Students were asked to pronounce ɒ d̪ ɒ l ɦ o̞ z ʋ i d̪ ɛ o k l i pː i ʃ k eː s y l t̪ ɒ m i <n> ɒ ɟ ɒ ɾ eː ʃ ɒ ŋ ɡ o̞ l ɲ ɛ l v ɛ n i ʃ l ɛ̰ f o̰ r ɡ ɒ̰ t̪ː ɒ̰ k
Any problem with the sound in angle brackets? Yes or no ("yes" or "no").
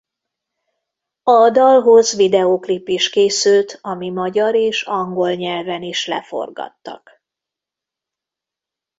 yes